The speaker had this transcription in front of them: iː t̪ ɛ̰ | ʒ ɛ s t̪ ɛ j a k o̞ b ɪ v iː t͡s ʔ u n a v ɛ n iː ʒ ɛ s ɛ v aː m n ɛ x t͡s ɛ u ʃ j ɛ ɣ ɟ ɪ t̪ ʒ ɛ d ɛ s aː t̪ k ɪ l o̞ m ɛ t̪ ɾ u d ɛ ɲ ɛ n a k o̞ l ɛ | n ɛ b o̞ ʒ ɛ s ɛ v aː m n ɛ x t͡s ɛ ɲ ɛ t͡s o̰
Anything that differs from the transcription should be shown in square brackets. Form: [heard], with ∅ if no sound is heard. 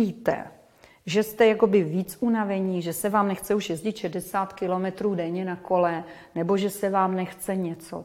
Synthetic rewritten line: iː t̪ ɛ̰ | ʒ ɛ s t̪ ɛ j a k o̞ b ɪ v iː t͡s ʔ u n a v ɛ [ɲ] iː ʒ ɛ s ɛ v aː m n ɛ x t͡s ɛ u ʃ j ɛ [z] ɟ ɪ t̪ [ʃ] ɛ d ɛ s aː t̪ k ɪ l o̞ m ɛ t̪ ɾ [uː] d ɛ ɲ ɛ n a k o̞ l ɛ | n ɛ b o̞ ʒ ɛ s ɛ v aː m n ɛ x t͡s ɛ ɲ ɛ t͡s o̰